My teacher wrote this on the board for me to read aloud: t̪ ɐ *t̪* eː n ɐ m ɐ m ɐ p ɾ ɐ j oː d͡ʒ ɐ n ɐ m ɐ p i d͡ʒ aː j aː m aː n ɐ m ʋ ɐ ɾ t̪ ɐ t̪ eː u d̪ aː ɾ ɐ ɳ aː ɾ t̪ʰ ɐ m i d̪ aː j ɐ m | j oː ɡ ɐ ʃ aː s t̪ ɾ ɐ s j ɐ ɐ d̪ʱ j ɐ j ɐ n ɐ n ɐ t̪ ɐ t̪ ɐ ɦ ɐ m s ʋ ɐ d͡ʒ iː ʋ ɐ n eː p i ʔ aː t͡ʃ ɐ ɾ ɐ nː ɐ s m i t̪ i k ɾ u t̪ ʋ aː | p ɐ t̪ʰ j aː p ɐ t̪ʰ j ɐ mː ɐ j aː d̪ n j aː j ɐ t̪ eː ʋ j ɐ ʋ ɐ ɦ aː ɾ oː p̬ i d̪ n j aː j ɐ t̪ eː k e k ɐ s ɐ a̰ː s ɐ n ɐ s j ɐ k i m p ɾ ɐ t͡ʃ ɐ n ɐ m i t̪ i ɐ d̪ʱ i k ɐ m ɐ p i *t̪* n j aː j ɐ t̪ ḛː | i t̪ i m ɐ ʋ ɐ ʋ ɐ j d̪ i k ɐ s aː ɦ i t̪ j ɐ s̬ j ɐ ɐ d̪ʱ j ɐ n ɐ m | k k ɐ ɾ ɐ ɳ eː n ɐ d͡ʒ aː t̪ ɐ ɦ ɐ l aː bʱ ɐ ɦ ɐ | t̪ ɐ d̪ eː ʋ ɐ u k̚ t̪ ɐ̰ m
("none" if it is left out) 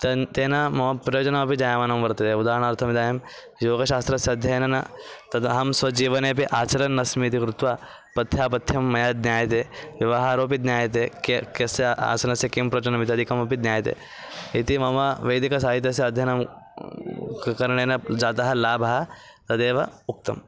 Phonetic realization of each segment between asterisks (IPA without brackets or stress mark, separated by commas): t̪, d̪